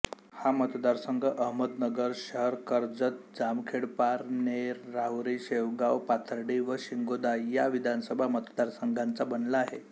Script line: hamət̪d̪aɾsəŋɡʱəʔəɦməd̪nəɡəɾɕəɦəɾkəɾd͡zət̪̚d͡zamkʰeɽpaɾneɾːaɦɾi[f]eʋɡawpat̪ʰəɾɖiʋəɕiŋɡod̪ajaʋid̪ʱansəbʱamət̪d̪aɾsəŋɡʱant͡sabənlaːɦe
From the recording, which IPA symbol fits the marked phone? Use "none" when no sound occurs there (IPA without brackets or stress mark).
ɕ